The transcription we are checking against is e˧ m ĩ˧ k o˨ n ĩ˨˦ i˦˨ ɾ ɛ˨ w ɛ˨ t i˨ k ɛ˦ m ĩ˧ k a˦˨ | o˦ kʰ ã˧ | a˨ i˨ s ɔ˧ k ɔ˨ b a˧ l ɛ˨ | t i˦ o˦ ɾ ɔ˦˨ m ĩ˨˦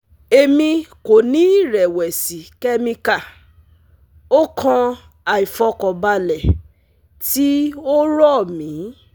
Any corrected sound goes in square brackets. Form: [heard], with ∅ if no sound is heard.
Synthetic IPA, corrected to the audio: e˧ m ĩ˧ k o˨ n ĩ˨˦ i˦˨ ɾ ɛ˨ w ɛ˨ [s] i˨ k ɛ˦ m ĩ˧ k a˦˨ | o˦ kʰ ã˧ | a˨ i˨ [f] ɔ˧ k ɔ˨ b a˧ l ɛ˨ | t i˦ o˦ ɾ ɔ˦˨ m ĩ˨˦